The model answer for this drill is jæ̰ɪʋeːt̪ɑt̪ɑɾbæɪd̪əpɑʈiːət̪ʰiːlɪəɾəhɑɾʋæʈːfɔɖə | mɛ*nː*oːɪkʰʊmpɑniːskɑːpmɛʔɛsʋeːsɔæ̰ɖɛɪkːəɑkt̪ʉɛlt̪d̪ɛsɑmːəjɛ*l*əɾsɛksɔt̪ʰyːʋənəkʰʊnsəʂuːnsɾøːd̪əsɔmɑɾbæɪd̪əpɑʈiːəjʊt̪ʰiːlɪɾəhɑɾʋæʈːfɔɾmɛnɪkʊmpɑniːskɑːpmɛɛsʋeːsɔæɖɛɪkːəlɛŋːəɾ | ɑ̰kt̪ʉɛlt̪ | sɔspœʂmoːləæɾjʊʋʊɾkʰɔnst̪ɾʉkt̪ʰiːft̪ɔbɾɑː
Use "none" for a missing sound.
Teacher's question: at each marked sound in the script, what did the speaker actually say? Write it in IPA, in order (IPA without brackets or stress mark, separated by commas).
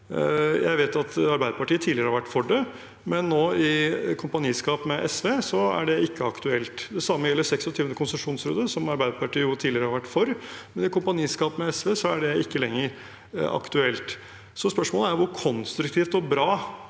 nː, lː